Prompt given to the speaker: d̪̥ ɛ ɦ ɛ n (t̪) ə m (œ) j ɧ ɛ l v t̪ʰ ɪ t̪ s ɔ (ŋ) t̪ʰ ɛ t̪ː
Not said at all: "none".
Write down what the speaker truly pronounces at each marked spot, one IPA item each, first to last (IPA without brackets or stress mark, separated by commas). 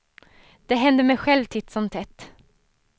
d̪, ɛ, m